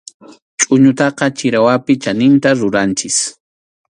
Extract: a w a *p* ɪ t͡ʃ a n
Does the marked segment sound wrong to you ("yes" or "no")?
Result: no